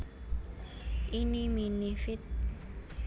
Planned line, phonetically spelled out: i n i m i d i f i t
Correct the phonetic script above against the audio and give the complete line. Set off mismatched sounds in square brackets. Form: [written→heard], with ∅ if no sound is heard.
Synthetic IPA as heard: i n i m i [d→n] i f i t

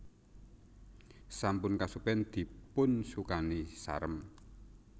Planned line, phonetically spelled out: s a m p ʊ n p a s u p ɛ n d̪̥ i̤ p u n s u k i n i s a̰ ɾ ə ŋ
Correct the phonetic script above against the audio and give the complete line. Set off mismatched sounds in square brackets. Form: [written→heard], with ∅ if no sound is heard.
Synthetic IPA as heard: s a m p ʊ n [p→k] a s u p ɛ n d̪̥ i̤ p [u→ʊ] n s u k [i→a] n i s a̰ ɾ ə [ŋ→m]

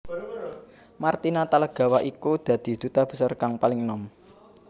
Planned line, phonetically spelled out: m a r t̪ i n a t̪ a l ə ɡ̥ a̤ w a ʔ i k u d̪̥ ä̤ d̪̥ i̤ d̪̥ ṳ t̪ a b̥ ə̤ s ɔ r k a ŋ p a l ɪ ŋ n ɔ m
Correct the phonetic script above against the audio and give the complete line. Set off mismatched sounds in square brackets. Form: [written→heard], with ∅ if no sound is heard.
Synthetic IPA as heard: m a r t̪ i n a t̪ a l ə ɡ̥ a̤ w a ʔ i k u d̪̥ ä̤ d̪̥ i̤ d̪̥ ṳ t̪ a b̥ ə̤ s ɔ r k a ŋ p a l ɪ ŋ n ɔ m

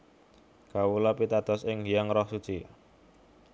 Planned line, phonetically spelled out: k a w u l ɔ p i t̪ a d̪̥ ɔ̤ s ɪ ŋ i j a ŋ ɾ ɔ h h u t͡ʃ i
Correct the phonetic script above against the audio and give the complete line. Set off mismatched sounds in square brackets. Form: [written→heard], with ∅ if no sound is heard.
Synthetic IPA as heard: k a w u l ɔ p i t̪ a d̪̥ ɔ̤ s ɪ ŋ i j a ŋ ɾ ɔ h [h→s] u t͡ʃ i

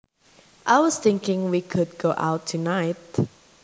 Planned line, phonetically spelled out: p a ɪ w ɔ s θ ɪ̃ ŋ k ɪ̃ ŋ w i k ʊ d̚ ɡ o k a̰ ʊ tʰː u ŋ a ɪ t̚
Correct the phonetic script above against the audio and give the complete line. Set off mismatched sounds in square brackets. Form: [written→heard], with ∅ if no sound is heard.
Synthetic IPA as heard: [p→ʔ] a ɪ w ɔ s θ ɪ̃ ŋ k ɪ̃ ŋ w i [k→kʰ] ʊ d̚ ɡ o [k→ʔ] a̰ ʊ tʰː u [ŋ→n] a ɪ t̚

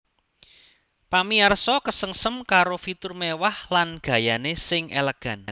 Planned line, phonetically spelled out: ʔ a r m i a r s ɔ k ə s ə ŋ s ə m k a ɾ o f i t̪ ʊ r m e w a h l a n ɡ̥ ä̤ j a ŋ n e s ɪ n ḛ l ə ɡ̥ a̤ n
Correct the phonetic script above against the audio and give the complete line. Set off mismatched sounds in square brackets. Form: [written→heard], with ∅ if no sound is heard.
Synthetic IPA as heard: [ʔ→p] a [r→∅] m i a r s ɔ k ə s ə ŋ s ə m k a ɾ o f i t̪ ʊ r m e w a h l a n ɡ̥ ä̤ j a [ŋ→∅] n e s ɪ [n→ŋ] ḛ l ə ɡ̥ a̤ n

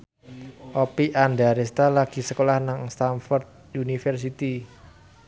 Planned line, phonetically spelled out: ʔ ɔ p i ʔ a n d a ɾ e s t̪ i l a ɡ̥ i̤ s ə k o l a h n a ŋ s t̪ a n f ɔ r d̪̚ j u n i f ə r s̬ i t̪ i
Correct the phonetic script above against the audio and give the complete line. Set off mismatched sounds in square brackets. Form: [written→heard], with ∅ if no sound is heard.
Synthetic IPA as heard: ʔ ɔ p i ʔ a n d a ɾ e s t̪ [i→a] l a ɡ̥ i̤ s ə k o l a h n a ŋ s t̪ a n f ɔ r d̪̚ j u n i f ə r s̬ i t̪ i

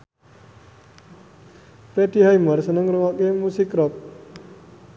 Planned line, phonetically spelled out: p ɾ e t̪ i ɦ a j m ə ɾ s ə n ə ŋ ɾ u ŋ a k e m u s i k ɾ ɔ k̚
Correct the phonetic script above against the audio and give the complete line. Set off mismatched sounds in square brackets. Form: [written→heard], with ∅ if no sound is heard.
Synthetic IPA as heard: p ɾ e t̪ i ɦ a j m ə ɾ s ə n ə ŋ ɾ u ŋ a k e m u s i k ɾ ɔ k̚

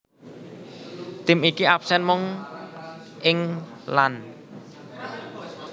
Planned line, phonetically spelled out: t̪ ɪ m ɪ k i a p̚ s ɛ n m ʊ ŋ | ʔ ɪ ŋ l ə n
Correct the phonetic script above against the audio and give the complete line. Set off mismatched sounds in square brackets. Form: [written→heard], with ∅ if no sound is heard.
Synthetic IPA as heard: t̪ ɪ m [ɪ→i] k i a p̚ s ɛ n m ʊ ŋ | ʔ ɪ ŋ l [ə→a] n

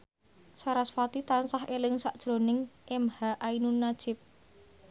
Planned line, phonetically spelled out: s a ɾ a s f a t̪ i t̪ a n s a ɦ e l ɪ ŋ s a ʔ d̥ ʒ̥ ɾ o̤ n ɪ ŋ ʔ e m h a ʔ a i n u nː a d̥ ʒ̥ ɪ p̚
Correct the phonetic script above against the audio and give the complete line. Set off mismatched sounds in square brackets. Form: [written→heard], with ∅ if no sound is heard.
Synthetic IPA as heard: s a ɾ a s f a t̪ i t̪ a n s a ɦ e l ɪ ŋ s a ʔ d̥ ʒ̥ ɾ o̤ n ɪ ŋ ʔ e m h a ʔ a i n u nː a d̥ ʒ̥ ɪ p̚

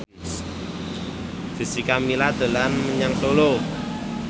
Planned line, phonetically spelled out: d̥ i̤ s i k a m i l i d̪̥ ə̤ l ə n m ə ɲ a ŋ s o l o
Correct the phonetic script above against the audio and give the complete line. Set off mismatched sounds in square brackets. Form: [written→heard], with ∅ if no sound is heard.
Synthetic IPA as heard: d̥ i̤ s i k a m i l [i→a] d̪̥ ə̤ l [ə→a] n m ə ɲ a ŋ s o l o

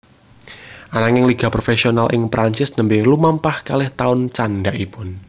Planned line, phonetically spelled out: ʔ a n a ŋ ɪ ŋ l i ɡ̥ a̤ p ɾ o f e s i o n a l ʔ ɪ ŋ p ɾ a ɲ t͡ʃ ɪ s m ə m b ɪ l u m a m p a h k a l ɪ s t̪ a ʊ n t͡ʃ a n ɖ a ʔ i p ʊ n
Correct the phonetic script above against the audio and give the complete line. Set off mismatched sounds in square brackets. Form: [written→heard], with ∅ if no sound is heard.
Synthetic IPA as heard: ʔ a n a ŋ ɪ ŋ l i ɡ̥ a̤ p ɾ o f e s i o n a l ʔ ɪ ŋ p ɾ a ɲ t͡ʃ ɪ s [m→n] ə m b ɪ l u m a m p a h k a l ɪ [s→h] t̪ a ʊ n t͡ʃ a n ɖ a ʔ i p ʊ n

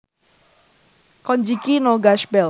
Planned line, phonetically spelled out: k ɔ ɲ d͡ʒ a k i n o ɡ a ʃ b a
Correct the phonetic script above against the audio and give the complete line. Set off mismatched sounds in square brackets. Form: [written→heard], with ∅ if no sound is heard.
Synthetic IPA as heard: k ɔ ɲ d͡ʒ [a→i] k i n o ɡ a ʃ b [a→ɛ]

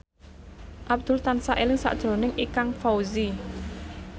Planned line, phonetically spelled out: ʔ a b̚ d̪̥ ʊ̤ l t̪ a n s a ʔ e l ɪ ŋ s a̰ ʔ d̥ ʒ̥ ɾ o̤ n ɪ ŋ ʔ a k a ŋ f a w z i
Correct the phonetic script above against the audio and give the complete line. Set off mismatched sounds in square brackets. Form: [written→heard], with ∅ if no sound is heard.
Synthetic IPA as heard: ʔ a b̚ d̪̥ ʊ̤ l t̪ a n s a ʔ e l ɪ ŋ s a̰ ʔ d̥ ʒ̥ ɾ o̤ n ɪ ŋ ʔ [a→i] k a ŋ f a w z i

